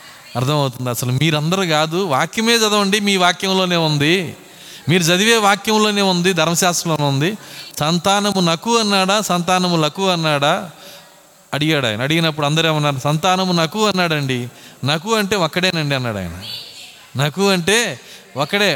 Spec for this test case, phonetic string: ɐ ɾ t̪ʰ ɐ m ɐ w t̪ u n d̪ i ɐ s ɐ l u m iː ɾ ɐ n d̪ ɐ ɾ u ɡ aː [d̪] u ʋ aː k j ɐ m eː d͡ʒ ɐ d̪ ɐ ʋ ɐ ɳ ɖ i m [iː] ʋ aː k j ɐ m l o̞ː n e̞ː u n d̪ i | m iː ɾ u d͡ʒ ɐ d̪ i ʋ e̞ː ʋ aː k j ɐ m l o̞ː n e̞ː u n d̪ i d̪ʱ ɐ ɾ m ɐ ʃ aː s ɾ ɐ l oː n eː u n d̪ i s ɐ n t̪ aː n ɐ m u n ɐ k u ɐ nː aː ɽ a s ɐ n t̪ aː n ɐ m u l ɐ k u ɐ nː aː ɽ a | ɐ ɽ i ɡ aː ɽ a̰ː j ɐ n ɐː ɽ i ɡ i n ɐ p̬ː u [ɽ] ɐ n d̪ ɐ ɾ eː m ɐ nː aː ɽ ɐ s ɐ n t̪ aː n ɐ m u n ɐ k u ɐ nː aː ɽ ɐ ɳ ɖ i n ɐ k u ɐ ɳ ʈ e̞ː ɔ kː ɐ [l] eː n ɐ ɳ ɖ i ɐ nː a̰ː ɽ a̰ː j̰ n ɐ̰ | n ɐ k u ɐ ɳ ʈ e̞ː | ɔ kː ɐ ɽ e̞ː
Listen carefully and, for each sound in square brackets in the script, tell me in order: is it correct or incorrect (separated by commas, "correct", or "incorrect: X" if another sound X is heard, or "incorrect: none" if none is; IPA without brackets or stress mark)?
correct, correct, correct, incorrect: ɽ